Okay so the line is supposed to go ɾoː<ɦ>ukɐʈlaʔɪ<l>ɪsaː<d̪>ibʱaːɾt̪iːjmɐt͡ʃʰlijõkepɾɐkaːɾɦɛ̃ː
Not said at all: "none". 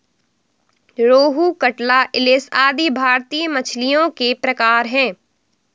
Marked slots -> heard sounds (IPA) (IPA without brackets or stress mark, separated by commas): ɦ, l, d̪